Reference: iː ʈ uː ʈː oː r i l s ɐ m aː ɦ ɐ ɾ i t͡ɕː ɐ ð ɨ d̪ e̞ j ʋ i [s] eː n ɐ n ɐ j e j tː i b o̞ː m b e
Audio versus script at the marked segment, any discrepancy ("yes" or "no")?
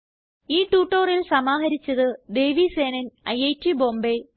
no